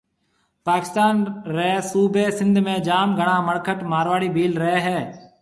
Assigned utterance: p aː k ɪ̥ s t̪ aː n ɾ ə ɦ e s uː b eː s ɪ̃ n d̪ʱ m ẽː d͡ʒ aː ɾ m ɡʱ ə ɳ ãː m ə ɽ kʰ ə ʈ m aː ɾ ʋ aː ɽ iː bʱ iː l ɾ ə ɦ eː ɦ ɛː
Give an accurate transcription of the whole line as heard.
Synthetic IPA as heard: p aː k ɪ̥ s t̪ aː n ɾ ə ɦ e s uː b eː s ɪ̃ n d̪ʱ m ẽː d͡ʒ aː m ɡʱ ə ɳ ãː m ə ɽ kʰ ə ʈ m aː ɾ ʋ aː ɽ iː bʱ iː l ɾ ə ɦ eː ɦ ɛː